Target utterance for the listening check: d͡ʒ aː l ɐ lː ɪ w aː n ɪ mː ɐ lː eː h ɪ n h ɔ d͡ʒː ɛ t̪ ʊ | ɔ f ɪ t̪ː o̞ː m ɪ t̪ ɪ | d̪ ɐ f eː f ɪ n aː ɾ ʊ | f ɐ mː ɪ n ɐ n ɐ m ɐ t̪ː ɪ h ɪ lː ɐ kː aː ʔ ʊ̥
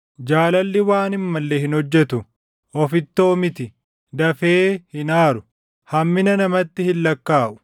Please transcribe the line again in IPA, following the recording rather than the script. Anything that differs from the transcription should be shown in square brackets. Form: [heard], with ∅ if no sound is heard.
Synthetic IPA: d͡ʒ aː l ɐ lː ɪ w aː n ɪ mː ɐ lː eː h ɪ n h ɔ d͡ʒː ɛ t̪ ʊ | ɔ f ɪ t̪ː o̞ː m ɪ t̪ ɪ | d̪ ɐ f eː [h] ɪ n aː ɾ ʊ | [h] ɐ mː ɪ n ɐ n ɐ m ɐ t̪ː ɪ h ɪ lː ɐ kː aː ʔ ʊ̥

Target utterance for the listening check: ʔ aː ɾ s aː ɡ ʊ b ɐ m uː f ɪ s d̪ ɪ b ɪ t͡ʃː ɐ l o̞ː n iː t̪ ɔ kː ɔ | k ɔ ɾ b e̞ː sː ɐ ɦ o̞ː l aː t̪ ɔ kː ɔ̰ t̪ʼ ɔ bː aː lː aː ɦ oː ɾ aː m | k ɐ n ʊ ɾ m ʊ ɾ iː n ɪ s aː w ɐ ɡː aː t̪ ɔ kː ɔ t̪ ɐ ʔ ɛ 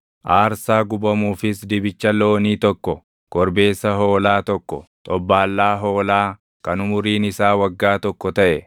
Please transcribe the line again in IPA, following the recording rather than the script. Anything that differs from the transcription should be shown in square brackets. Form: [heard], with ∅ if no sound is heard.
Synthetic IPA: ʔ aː ɾ s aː ɡ ʊ b ɐ m uː f ɪ s d̪ ɪ b ɪ t͡ʃː ɐ l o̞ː n iː t̪ ɔ kː ɔ | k ɔ ɾ b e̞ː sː ɐ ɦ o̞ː l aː t̪ ɔ kː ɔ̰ t̪ʼ ɔ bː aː lː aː ɦ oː [l] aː [∅] | k ɐ n ʊ [∅] m ʊ ɾ iː n ɪ s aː w ɐ ɡː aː t̪ ɔ kː ɔ t̪ ɐ ʔ ɛ

